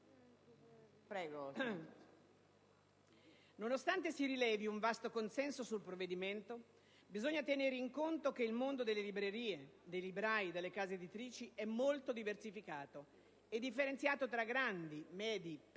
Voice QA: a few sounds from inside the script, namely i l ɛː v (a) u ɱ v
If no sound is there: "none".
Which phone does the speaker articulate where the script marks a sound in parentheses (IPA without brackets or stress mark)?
i